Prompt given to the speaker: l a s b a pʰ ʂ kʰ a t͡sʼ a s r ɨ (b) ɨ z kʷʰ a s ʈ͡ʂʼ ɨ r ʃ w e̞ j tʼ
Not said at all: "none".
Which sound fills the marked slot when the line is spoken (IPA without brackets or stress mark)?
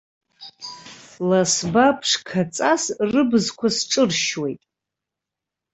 b